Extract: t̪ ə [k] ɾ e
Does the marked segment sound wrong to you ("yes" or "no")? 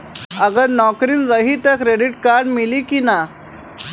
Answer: no